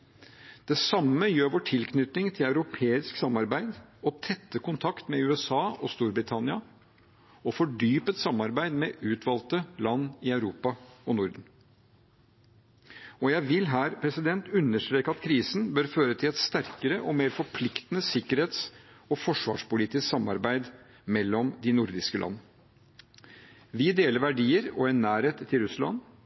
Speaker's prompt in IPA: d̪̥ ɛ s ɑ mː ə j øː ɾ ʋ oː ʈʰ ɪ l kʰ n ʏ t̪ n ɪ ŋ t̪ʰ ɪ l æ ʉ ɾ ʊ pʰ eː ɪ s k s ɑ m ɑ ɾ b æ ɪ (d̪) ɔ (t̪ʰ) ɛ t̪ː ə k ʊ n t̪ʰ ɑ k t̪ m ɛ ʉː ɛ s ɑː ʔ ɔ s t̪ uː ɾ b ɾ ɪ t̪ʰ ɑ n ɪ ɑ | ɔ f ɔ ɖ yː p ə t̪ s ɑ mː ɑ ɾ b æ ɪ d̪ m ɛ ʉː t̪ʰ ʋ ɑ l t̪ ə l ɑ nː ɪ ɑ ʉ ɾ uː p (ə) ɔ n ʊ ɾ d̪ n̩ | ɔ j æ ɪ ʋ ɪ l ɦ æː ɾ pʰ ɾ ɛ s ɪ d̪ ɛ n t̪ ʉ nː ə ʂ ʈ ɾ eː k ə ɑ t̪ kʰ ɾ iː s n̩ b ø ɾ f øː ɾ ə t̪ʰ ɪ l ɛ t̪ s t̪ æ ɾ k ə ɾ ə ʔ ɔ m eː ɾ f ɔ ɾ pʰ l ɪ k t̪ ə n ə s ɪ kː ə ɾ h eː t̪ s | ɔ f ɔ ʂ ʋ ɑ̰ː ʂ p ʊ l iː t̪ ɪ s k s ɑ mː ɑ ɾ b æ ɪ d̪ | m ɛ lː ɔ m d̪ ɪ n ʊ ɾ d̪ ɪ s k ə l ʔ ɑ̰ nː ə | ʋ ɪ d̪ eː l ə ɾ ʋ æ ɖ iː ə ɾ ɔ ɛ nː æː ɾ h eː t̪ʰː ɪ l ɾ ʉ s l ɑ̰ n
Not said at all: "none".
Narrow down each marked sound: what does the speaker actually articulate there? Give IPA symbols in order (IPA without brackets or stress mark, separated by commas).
d̪, t̪ʰ, ɑ